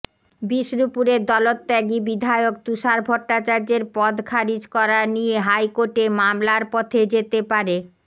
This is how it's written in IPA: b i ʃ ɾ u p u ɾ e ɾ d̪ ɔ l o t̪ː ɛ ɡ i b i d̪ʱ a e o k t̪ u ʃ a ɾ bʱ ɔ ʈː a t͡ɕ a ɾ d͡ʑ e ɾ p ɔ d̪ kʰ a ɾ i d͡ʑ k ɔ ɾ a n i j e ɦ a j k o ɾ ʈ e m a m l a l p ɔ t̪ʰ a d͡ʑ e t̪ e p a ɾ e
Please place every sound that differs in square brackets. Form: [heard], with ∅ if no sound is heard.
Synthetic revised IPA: b i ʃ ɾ u p u ɾ e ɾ d̪ ɔ l o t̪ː ɛ ɡ i b i d̪ʱ a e o k t̪ u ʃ a ɾ bʱ ɔ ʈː a t͡ɕ a ɾ d͡ʑ e ɾ p ɔ d̪ kʰ a ɾ i d͡ʑ k ɔ ɾ a n i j e ɦ a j k o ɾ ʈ e m a m l a [ɾ] p ɔ t̪ʰ [e] d͡ʑ e t̪ e p a ɾ e